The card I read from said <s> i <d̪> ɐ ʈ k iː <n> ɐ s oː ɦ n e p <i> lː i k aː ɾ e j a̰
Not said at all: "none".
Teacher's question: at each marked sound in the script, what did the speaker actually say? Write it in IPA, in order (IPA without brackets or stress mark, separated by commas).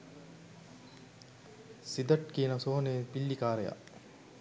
s, d̪, n, i